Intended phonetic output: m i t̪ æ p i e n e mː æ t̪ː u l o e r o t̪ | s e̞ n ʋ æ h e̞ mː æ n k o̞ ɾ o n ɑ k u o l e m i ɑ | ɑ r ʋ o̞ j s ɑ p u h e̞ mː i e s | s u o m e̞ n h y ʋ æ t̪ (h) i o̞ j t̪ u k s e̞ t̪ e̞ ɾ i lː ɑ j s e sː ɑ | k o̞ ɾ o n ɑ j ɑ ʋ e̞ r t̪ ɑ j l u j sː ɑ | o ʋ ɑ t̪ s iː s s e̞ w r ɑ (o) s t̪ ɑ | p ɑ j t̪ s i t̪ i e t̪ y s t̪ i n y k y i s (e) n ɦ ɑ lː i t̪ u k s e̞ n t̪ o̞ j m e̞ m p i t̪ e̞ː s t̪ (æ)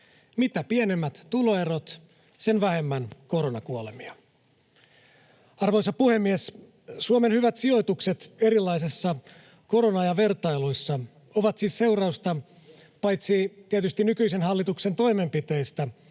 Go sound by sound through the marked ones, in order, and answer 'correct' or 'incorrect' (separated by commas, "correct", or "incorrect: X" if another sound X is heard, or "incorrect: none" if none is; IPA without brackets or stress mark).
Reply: incorrect: s, incorrect: u, correct, correct